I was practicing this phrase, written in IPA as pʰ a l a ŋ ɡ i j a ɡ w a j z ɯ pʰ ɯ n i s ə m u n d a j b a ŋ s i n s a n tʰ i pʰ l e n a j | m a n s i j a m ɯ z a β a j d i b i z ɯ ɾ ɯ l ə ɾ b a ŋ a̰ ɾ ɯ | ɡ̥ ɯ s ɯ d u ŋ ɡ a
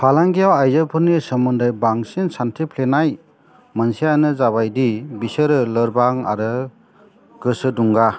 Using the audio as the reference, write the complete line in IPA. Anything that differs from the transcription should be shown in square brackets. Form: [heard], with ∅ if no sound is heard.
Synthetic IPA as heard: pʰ a l a ŋ ɡ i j a [∅] w a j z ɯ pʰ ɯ n i s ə m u n d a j b a ŋ s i n s a n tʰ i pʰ l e n a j | m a n s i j a [n] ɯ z a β a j d i b i [s] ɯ ɾ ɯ l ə ɾ b a ŋ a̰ ɾ ɯ | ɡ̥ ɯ s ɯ d u ŋ ɡ a

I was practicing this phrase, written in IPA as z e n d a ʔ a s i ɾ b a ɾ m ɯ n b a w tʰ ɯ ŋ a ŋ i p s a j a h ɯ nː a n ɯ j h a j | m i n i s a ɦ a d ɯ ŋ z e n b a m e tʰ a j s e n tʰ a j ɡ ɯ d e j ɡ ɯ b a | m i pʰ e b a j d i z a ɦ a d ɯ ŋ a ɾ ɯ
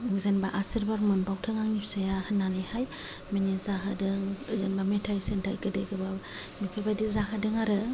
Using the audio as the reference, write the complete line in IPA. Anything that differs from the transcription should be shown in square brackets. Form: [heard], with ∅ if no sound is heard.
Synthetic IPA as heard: z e n [b] a ʔ a s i ɾ b a ɾ m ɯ n b a w tʰ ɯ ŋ a ŋ i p s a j a h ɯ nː a n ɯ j h a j | m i n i [z] a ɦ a d ɯ ŋ z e n b a m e tʰ a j s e n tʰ a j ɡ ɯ d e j ɡ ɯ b a | m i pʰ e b a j d i z a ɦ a d ɯ ŋ a ɾ ɯ

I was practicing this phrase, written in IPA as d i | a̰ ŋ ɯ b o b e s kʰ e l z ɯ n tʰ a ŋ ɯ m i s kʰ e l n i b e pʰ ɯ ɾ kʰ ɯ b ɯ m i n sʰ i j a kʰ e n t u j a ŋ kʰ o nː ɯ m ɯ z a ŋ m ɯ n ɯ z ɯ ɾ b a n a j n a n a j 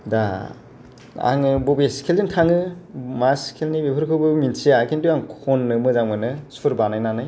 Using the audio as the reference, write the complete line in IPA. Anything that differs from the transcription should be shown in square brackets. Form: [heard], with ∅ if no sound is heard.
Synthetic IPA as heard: d [a] | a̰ ŋ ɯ b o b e s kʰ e l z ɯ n tʰ a ŋ ɯ m [a] s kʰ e l n i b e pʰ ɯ ɾ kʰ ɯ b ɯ m i n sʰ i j a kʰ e n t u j a ŋ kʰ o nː ɯ m ɯ z a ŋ m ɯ n ɯ [s] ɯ ɾ b a n a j n a n a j

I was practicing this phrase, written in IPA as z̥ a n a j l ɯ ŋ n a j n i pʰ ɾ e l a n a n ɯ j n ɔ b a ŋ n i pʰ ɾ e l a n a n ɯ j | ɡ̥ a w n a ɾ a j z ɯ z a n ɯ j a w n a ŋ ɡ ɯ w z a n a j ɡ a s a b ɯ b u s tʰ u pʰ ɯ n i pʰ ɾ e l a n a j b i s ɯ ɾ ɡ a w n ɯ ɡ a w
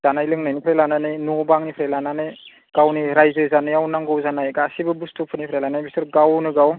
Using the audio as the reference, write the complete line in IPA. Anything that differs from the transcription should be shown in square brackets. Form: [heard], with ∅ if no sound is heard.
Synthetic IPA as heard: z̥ a n a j l ɯ ŋ n a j n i pʰ ɾ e l a n a n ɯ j n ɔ b a ŋ n i pʰ ɾ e l a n a n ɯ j | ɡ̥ a w n [i] ɾ a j z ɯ z a n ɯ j a w n a ŋ ɡ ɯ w z a n a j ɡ a s [i] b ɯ b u s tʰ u pʰ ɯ n i pʰ ɾ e l a n a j b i s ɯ ɾ ɡ a w n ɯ ɡ a w

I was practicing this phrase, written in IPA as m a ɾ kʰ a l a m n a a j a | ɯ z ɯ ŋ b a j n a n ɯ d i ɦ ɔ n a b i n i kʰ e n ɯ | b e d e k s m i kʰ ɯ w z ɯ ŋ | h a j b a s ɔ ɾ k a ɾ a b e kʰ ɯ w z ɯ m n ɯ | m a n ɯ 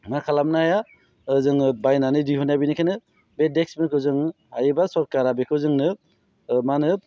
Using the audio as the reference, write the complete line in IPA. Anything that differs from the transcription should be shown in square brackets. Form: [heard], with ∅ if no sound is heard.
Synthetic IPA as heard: m a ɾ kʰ a l a m n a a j a | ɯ z ɯ ŋ b a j n a n ɯ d i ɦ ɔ n a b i n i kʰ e n ɯ | b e d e k s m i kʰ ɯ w z ɯ ŋ | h a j b a s ɔ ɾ k a ɾ a b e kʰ ɯ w z ɯ [ŋ] n ɯ | m a n ɯ

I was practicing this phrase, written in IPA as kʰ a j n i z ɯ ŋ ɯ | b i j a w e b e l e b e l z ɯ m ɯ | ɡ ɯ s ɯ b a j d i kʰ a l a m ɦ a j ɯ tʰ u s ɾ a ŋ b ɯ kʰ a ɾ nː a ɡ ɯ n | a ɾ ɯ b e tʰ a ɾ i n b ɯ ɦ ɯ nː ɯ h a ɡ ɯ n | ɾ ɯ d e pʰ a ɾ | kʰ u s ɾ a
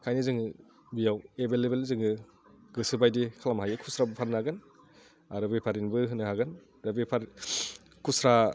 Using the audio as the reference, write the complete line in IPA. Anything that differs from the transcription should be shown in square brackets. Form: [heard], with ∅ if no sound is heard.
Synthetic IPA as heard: kʰ a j n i z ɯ ŋ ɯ | b i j a w e b e l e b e l z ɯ [ŋ] ɯ | ɡ ɯ s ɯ b a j d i kʰ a l a m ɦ a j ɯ [kʰ] u s ɾ a [∅] b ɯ [pʰ] a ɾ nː a ɡ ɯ n | a ɾ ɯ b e [pʰ] a ɾ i n b ɯ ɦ ɯ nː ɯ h a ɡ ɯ n | ɾ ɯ [b] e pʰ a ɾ | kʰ u s ɾ a

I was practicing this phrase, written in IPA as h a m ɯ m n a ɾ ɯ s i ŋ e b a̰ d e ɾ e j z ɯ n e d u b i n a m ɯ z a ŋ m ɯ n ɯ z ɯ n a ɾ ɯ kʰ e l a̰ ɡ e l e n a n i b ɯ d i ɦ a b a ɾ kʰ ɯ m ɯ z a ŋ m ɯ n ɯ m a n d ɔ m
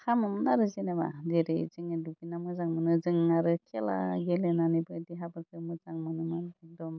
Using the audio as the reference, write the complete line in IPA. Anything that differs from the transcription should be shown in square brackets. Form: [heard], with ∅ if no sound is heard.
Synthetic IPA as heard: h a m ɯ m n a ɾ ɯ [z] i [n] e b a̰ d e ɾ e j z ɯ [ŋ] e d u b i n a m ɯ z a ŋ m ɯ n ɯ z ɯ [ŋ] a ɾ ɯ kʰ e l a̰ ɡ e l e n a n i b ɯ d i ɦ a b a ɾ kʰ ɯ m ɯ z a ŋ m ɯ n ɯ m a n d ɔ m

